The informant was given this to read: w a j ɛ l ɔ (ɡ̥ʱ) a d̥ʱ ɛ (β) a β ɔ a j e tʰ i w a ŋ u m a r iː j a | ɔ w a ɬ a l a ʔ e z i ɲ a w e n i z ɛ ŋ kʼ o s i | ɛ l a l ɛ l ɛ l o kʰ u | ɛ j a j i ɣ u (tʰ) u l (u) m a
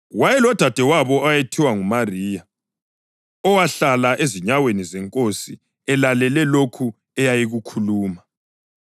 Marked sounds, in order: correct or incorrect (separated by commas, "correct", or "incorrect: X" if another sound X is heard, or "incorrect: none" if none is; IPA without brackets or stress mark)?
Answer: incorrect: d̥ʱ, incorrect: w, incorrect: kʰ, incorrect: uː